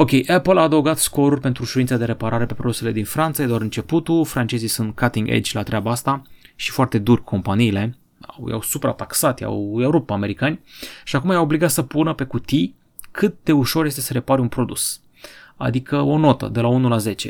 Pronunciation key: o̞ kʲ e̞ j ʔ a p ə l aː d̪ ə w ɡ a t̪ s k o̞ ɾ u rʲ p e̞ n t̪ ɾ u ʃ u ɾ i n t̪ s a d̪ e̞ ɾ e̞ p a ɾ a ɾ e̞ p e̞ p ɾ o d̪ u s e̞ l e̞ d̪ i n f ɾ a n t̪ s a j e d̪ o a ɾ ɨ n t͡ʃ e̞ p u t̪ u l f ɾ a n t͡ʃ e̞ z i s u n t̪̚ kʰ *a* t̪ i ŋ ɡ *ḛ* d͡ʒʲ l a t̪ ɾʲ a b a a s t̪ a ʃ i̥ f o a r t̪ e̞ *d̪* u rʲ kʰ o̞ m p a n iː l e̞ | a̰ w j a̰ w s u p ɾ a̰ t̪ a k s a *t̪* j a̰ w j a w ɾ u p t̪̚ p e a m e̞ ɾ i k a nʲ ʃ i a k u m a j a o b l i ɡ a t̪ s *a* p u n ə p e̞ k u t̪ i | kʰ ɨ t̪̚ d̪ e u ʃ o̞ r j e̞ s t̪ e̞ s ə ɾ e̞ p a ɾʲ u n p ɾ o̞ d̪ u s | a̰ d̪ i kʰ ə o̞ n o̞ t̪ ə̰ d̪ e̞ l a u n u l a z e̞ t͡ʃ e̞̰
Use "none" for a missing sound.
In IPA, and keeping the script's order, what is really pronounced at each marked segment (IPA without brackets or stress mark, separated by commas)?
a, ḛ, d̪, t̪, ə